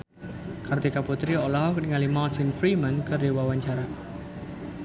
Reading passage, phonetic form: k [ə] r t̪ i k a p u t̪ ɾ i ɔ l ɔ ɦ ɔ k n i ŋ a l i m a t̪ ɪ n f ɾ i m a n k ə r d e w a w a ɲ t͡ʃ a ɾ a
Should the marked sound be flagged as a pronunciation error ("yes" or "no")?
yes